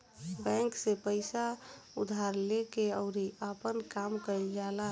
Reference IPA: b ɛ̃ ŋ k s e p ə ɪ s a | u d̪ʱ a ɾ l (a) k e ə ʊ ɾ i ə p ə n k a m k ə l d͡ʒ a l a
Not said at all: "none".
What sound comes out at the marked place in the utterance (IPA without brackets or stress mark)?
e